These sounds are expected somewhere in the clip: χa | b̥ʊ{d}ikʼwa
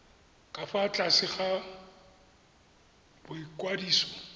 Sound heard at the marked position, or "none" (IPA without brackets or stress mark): none